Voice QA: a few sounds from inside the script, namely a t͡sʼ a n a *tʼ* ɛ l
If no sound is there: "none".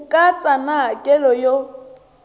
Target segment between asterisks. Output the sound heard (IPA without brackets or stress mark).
kʼ